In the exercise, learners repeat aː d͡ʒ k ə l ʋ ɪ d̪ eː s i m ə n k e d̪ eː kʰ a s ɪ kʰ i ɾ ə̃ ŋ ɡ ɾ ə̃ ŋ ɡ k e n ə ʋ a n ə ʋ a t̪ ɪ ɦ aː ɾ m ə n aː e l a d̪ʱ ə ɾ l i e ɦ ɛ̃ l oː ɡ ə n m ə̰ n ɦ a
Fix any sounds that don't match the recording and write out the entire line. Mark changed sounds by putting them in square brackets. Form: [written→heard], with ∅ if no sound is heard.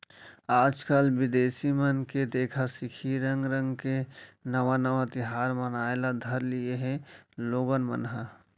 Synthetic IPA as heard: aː d͡ʒ k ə l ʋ ɪ d̪ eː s i m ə n k e d̪ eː kʰ a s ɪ kʰ i ɾ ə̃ ŋ ɡ ɾ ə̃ ŋ ɡ k e n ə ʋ a n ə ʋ a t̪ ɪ ɦ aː ɾ m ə n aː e l a d̪ʱ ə ɾ l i e ɦ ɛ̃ l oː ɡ ə n m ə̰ n ɦ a